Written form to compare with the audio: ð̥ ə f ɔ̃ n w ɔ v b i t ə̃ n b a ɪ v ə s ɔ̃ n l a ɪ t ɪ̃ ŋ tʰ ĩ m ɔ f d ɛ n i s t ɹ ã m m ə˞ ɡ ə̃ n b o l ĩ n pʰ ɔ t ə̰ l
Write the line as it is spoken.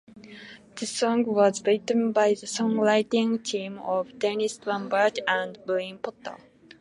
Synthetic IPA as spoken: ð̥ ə s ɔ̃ ŋ w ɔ z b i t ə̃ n b a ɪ ð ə s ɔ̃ ŋ l a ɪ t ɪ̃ ŋ tʰ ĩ m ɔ v d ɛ n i s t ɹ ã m b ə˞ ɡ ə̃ n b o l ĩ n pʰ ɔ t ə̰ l